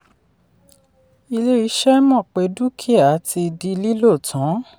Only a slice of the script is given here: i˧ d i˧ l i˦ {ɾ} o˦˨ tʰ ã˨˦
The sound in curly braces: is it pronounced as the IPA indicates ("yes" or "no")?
no